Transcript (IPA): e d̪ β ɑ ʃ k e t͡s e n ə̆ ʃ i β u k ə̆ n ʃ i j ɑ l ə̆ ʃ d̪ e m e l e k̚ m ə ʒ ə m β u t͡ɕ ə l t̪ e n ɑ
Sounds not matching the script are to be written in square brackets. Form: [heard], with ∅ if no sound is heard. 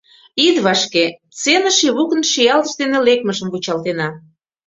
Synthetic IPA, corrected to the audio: [i] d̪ β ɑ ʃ k e t͡s e n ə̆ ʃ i β u k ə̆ n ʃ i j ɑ l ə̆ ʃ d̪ e [n] e l e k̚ m ə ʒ ə m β u t͡ɕ [ɑ] l t̪ e n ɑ